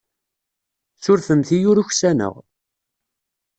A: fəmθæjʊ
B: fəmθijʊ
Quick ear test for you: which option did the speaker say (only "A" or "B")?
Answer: B